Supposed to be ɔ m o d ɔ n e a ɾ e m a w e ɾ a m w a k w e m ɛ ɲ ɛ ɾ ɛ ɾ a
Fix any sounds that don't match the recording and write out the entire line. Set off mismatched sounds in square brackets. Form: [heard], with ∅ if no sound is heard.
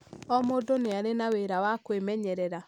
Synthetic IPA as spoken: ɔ m o d [o] n e a ɾ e [n] a w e ɾ a [∅] w a k w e m ɛ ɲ ɛ ɾ ɛ ɾ a